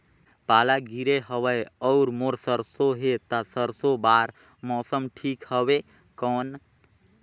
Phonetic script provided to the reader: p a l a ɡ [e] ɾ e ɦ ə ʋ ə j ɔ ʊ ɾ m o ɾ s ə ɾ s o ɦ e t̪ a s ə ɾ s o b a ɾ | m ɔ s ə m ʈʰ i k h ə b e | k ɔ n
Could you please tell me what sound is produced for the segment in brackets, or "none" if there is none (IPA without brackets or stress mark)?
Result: i